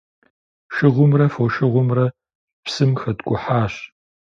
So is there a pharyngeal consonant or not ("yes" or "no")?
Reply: yes